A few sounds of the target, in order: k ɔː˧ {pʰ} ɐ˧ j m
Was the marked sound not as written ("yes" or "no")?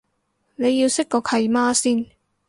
yes